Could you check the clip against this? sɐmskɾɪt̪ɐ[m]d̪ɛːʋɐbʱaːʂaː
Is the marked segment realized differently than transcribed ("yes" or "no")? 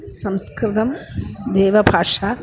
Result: no